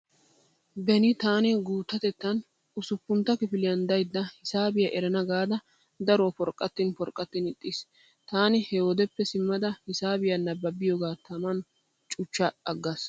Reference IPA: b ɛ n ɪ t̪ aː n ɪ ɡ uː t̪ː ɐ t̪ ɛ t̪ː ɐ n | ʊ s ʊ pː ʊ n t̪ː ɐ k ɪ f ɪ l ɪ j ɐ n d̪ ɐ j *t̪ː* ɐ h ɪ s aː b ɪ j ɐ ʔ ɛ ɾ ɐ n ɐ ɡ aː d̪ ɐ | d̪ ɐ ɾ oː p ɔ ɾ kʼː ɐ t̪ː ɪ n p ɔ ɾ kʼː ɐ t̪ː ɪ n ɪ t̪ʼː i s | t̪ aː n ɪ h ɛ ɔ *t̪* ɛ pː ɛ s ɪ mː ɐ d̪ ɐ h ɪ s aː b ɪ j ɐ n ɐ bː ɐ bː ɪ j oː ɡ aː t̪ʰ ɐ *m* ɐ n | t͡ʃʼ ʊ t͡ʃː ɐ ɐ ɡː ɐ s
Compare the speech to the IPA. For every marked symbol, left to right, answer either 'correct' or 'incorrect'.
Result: incorrect: d̪ː, incorrect: d̪, correct

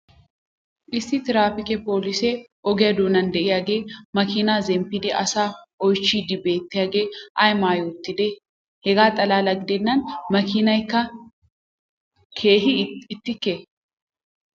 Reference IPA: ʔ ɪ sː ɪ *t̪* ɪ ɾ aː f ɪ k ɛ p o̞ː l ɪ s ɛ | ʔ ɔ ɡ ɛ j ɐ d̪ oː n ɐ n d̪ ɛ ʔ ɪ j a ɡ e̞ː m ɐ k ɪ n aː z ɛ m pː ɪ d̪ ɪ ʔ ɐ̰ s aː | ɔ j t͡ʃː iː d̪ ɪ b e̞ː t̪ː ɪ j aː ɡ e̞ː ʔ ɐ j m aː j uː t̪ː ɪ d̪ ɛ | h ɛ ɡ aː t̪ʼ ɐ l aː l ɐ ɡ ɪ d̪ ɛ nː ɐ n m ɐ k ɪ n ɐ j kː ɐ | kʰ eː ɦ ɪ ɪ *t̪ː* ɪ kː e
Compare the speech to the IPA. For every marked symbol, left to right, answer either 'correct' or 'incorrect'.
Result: correct, correct

